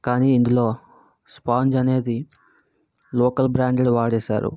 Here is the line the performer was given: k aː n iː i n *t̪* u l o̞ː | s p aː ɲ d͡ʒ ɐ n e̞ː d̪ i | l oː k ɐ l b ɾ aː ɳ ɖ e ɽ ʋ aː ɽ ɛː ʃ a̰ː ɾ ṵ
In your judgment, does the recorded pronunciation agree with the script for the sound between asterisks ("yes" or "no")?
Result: no